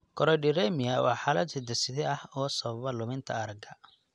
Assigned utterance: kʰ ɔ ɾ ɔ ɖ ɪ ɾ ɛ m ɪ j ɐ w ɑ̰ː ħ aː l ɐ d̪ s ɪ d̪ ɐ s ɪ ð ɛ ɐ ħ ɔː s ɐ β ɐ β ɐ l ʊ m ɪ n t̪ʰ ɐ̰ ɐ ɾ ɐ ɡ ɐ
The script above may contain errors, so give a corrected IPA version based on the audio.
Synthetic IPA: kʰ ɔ ɾ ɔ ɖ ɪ ɾ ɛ m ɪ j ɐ w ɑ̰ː ħ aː l ɐ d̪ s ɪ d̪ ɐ s ɪ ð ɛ ɐ h ɔː s ɐ β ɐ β ɐ l ʊ m ɪ n t̪ʰ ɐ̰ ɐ ɾ ɐ ɡ ɐ